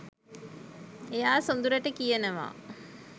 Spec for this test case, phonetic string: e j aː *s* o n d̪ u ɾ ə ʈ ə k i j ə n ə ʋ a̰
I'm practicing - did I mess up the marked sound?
no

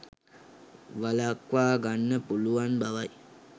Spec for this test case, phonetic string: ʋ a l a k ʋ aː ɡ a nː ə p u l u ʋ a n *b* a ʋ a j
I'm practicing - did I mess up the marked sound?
no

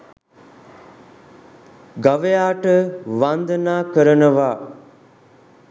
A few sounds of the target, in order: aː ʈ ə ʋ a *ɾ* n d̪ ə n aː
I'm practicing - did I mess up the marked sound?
yes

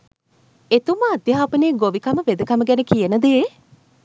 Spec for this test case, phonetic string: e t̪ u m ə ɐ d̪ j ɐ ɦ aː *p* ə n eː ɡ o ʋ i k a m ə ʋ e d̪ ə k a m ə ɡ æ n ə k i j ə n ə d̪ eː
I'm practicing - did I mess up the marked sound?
no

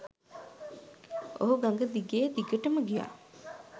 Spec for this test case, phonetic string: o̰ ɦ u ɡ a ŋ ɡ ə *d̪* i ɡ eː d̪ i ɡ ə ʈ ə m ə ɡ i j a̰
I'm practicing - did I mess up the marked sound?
no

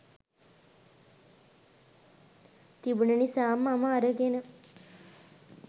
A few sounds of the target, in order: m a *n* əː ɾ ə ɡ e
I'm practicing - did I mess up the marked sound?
yes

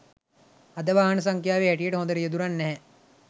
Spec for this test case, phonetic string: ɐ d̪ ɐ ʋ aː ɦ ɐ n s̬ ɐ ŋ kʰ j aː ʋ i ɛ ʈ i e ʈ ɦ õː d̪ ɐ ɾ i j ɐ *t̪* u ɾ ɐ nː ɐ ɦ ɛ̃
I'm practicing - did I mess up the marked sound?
yes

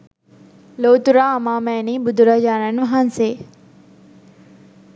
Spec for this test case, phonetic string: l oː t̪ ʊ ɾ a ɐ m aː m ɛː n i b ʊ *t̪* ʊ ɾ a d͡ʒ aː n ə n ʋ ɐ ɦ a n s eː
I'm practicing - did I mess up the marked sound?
yes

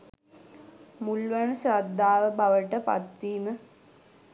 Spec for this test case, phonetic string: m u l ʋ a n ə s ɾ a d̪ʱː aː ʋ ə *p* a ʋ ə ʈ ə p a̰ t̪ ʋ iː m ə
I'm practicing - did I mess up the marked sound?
yes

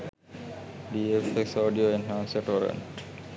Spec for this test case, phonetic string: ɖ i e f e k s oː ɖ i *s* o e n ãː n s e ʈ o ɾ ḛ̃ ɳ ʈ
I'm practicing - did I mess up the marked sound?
yes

